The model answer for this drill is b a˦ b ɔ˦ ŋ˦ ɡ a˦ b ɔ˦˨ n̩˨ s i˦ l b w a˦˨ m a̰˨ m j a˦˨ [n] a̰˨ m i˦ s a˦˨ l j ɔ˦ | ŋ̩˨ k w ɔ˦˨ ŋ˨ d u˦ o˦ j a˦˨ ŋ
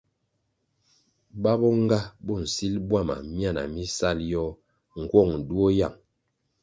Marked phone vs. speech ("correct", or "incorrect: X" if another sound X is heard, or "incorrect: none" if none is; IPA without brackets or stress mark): correct